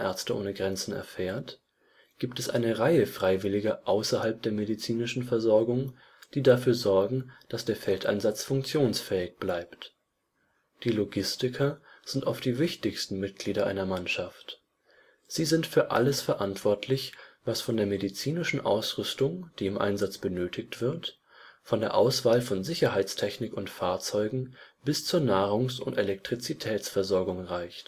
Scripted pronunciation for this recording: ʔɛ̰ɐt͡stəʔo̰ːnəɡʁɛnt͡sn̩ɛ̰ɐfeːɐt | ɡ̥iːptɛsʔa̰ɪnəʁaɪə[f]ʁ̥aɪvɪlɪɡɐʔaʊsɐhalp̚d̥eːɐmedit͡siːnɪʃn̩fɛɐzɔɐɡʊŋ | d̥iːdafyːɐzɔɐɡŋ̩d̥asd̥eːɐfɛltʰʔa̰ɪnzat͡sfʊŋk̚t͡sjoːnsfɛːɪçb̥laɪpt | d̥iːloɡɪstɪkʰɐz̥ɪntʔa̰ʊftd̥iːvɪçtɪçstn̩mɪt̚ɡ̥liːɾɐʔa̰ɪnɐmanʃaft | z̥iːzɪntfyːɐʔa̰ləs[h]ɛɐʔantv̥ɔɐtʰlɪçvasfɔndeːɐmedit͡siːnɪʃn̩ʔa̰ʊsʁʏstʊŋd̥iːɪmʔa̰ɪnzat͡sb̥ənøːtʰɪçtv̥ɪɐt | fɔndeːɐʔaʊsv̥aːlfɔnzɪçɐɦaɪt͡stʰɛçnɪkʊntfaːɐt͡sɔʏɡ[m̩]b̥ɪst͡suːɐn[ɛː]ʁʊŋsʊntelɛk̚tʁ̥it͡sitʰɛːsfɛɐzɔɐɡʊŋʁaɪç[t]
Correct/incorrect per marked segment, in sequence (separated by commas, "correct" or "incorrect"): correct, incorrect, incorrect, incorrect, correct